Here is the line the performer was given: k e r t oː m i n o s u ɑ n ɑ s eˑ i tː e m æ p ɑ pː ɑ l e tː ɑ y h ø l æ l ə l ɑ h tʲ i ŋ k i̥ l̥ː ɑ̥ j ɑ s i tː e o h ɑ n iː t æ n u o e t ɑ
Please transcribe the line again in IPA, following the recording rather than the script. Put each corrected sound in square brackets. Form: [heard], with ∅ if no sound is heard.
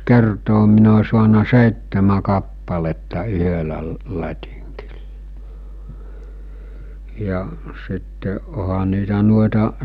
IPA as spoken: k e r t oː m i n o s u ɑ n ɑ s eˑ i tː e m æ [k] ɑ pː ɑ l e tː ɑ y h ø l æ l ə l ɑ [∅] tʲ i ŋ k i̥ l̥ː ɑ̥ j ɑ s i tː e o h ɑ n iː t æ n u o e t ɑ